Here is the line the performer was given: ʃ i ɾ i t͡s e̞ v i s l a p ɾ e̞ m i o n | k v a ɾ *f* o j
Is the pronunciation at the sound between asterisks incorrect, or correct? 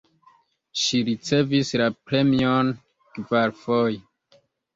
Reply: correct